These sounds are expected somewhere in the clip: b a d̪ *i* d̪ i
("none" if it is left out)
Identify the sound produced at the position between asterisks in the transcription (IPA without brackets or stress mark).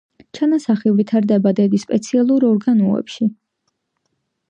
ɛ